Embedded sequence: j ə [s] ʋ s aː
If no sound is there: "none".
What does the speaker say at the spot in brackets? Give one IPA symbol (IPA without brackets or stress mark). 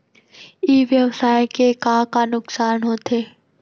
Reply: none